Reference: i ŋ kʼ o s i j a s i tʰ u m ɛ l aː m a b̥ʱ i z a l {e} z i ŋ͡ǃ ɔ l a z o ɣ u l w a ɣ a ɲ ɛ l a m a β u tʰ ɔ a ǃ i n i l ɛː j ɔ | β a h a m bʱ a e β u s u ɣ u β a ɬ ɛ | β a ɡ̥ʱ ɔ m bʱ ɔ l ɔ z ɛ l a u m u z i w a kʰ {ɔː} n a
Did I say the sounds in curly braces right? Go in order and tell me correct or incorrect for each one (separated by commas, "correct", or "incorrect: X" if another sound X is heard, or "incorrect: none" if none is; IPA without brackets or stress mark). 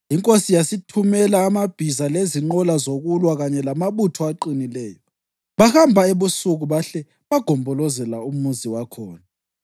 correct, correct